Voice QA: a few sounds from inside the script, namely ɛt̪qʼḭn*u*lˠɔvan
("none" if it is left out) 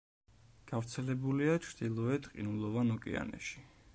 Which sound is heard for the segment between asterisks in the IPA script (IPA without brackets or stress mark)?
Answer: u